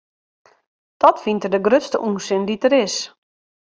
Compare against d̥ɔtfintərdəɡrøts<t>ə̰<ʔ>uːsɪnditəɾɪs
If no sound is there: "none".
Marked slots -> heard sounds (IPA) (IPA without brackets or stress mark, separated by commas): t, ʔ